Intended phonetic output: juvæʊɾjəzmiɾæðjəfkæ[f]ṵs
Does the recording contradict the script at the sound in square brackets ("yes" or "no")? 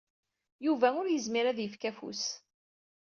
no